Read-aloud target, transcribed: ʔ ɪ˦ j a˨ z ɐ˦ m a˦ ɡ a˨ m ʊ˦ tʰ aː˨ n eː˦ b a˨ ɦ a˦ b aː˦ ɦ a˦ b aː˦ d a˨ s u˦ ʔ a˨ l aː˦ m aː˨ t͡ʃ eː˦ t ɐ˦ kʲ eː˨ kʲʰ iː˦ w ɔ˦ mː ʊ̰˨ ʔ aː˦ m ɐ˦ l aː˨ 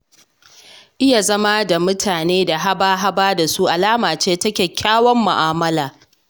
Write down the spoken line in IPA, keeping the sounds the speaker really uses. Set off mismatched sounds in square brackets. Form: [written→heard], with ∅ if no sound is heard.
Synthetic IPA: ʔ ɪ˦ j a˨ z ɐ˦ m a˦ [ɡ→d] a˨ m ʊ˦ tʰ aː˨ n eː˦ [b→d] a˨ ɦ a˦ b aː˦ ɦ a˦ b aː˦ d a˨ s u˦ ʔ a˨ l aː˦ m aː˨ t͡ʃ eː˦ t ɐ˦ kʲ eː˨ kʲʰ [iː˦→aː˦] w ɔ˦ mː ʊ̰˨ ʔ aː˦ m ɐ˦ l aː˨